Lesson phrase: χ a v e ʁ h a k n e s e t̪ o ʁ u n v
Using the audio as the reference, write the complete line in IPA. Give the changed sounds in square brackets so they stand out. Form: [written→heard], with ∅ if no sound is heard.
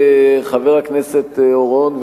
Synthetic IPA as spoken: χ a v e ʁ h a k n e s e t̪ o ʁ [u→o] n v